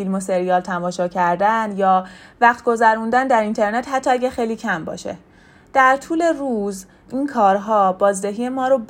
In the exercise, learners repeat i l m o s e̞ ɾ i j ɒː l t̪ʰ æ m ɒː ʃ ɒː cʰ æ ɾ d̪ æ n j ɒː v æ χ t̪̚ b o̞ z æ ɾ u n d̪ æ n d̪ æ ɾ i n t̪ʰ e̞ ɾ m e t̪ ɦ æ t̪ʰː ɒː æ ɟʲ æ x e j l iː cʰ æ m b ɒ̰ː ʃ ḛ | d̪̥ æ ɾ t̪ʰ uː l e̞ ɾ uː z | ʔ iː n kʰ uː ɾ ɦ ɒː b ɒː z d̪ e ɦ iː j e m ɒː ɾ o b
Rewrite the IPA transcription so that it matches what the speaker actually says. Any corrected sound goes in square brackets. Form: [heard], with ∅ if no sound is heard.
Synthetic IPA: i l m o s e̞ ɾ i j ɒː l t̪ʰ æ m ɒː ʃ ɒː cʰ æ ɾ d̪ æ n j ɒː v æ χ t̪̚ [ɡ] o̞ z æ ɾ u n d̪ æ n d̪ æ ɾ i n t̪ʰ e̞ ɾ [n] e t̪ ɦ æ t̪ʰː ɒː æ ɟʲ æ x e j l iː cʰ æ m b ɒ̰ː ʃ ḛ | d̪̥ æ ɾ t̪ʰ uː l e̞ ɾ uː z | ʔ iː n kʰ [ɒː] ɾ ɦ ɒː b ɒː z d̪ e ɦ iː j e m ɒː ɾ o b